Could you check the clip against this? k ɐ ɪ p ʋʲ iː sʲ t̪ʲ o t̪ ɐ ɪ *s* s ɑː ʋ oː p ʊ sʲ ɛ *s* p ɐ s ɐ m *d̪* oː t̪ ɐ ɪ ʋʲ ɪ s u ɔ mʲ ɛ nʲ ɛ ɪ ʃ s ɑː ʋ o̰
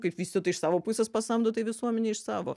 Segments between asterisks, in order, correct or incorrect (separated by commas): incorrect, correct, correct